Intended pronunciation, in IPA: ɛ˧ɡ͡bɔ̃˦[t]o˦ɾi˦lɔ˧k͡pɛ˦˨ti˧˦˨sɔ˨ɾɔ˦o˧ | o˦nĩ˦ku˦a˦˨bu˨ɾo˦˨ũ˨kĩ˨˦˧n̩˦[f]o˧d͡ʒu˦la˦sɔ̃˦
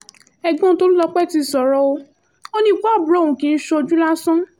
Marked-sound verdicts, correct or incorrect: correct, incorrect

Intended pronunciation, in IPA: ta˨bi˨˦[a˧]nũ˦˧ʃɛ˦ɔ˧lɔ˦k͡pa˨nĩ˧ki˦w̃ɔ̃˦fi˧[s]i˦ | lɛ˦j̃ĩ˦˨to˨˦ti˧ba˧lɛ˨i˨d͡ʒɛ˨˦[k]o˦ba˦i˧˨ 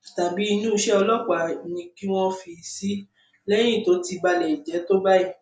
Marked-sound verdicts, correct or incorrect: incorrect, correct, incorrect

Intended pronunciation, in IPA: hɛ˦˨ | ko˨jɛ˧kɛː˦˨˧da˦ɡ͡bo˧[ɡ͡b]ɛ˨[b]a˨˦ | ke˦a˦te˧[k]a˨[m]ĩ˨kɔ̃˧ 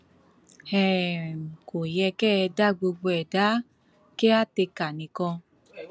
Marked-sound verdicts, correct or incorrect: correct, incorrect, correct, incorrect

